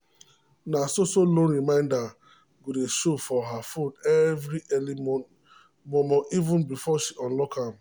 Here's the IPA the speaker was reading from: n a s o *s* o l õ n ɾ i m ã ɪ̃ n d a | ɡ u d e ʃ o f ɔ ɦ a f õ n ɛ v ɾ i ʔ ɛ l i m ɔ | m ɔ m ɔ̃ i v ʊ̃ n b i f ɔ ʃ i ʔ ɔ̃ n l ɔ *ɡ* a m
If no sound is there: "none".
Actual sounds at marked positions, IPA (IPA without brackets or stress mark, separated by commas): s, k